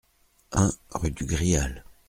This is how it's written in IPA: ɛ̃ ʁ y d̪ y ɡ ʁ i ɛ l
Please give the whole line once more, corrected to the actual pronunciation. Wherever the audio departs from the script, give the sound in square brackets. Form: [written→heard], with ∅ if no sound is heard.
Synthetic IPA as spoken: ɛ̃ ʁ y d̪ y ɡ ʁ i [ɛ→a] l